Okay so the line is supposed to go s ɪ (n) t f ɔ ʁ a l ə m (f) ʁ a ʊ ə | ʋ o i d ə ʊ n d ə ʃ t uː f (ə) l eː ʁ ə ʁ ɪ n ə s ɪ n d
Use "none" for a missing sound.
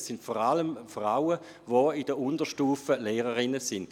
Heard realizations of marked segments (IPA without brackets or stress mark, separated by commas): n, f, ə